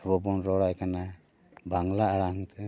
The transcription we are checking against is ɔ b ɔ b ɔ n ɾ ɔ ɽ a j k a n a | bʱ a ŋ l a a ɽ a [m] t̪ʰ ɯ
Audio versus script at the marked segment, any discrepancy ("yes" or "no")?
yes